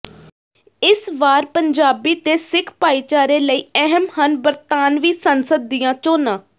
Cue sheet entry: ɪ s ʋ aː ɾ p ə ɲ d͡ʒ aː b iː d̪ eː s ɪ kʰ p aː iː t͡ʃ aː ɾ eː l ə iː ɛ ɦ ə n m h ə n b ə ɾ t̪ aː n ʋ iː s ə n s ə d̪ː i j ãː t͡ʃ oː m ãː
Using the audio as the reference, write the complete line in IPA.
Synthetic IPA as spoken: ɪ s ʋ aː ɾ p ə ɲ d͡ʒ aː b iː t̪ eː s ɪ kʰ p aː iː t͡ʃ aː ɾ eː l ə iː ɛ ɦ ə m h ə n b ə ɾ t̪ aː n ʋ iː s ə n s ə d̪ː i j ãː t͡ʃ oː n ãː